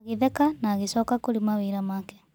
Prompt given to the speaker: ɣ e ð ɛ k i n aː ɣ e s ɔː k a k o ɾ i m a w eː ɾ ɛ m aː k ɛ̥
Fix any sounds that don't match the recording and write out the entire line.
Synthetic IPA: ɣ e ð ɛ k a n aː ɣ e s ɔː k a k o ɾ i m a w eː ɾ a m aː k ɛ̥

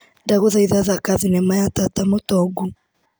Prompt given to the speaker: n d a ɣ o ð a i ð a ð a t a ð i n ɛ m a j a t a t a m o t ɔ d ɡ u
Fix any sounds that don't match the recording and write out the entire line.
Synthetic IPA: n d a ɣ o ð a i ð a ð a k a ð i n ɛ m a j a t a t a m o t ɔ ɡ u

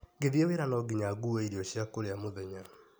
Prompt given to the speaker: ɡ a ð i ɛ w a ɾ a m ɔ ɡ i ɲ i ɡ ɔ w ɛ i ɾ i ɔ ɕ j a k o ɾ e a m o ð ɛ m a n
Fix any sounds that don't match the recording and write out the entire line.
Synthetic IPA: ɡ e ð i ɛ w e ɾ a n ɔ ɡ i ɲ a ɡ u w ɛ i ɾ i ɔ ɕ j a k o ɾ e a m o ð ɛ ɲ a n

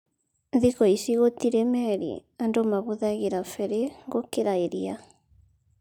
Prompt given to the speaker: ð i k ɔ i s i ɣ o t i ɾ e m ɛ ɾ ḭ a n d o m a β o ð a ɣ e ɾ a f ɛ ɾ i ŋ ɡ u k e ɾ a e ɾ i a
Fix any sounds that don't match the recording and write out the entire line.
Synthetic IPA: ð i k ɔ i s i ɣ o t i ɾ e m ɛ ɾ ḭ a n d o m a β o ð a ɣ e ɾ a f ɛ ɾ e ŋ ɡ o k e ɾ a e ɾ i a

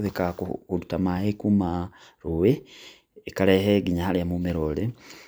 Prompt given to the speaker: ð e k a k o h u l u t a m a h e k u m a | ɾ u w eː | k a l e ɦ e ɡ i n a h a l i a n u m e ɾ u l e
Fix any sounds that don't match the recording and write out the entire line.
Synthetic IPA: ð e k a k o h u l u t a m a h e k u m a | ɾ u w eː | k a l e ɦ e ɡ i ɲ a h a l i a m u m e ɾ o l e

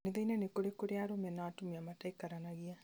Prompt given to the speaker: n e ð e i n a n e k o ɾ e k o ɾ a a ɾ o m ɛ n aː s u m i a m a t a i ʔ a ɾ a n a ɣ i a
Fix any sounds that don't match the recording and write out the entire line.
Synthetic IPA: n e ð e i n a n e k o ɾ e k o ɾ e a ɾ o m ɛ n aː t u m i a m a t a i k a ɾ a n a ɣ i a

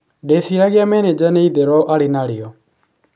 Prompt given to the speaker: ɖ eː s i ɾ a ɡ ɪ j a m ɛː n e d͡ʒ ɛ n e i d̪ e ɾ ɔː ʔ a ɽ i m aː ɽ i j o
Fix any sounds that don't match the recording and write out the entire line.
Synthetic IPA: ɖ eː s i ɾ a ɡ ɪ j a m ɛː n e d͡ʒ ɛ n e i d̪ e ɾ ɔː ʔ a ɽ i n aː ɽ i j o

